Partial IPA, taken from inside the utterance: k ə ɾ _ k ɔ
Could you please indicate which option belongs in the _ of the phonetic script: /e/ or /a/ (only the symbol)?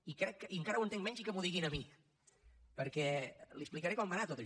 e